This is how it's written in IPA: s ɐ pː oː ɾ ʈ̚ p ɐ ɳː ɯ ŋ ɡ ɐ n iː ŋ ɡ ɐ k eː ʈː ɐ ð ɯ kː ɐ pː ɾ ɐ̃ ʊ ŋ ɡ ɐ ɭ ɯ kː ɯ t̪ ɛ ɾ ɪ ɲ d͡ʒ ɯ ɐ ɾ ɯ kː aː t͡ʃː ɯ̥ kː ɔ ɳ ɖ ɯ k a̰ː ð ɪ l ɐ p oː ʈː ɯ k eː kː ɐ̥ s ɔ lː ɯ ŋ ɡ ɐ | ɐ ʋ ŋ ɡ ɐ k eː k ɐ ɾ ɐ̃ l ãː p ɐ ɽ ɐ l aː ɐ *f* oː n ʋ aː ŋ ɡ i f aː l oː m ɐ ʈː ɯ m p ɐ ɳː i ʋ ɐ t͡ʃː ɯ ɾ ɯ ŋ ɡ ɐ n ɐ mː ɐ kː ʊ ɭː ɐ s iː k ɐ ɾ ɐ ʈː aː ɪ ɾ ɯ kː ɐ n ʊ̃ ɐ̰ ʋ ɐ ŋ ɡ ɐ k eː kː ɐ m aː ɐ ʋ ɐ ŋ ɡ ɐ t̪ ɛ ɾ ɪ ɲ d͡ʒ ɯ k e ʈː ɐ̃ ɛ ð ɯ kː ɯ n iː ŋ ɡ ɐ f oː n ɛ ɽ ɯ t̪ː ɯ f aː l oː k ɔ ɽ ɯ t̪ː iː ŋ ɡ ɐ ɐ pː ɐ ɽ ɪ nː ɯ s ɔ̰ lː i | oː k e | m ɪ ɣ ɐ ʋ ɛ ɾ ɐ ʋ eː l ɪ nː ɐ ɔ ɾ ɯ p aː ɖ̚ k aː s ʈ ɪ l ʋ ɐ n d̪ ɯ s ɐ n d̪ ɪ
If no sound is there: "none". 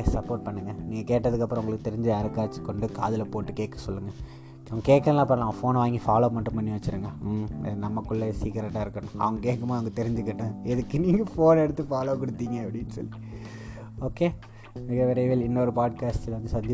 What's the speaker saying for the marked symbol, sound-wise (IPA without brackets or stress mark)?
f